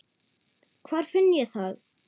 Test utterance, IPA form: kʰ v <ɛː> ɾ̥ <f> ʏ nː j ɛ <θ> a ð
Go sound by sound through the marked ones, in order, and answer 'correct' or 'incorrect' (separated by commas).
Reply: incorrect, correct, correct